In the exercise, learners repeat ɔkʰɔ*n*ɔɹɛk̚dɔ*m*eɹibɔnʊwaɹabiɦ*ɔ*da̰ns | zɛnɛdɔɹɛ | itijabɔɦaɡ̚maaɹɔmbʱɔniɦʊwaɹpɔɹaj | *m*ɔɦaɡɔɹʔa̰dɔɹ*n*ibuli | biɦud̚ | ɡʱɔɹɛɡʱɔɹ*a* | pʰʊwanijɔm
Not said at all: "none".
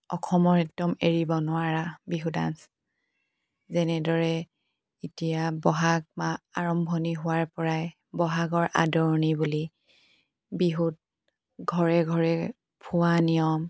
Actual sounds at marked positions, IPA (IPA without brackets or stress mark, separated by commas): m, m, u, b, n, ɛ